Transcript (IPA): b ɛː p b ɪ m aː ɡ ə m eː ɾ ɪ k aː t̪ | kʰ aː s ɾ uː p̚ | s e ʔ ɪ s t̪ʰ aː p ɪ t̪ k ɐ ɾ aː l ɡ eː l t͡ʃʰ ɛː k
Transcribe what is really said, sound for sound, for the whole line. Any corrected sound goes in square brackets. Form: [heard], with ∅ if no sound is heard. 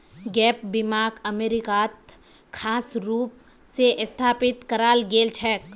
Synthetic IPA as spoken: [ɡ] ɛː p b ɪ m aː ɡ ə m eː ɾ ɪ k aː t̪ | kʰ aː s ɾ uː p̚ | s e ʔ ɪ s t̪ʰ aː p ɪ t̪ k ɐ ɾ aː l ɡ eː l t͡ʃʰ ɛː k